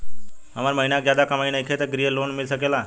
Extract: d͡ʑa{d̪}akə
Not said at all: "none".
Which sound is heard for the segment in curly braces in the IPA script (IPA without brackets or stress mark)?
d̪